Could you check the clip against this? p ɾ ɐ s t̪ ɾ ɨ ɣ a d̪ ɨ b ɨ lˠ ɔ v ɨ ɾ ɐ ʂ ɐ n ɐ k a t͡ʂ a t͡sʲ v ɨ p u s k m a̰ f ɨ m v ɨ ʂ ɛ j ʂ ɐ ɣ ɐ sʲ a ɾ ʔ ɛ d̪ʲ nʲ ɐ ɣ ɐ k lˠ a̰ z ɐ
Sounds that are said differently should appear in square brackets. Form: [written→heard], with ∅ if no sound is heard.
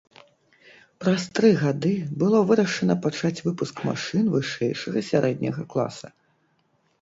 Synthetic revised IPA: p ɾ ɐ s t̪ ɾ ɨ ɣ a d̪ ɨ b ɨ lˠ ɔ v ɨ ɾ ɐ ʂ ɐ n ɐ [k→p] a t͡ʂ a t͡sʲ v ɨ p u s k m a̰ [f→ʂ] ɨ [m→n] v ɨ ʂ ɛ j ʂ ɐ ɣ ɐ sʲ a ɾ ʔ ɛ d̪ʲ nʲ ɐ ɣ ɐ k lˠ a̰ [z→s] ɐ